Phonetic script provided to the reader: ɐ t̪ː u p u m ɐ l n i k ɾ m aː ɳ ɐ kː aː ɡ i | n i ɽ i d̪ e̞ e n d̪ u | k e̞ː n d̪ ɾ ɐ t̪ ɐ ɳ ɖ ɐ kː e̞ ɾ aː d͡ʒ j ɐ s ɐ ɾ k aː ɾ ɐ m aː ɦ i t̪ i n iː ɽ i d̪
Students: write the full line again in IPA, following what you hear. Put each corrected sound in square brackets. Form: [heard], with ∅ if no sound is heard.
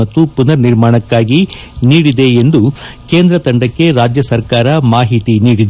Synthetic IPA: ɐ t̪ː u p u [n] ɐ [ɾ] n i [∅] ɾ m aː ɳ ɐ kː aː ɡ i | n [iː] ɽ i d̪ e̞ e n d̪ u | k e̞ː n d̪ ɾ ɐ t̪ ɐ ɳ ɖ ɐ kː e̞ ɾ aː d͡ʒ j ɐ s ɐ ɾ k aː ɾ ɐ m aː ɦ i t̪ i n iː ɽ i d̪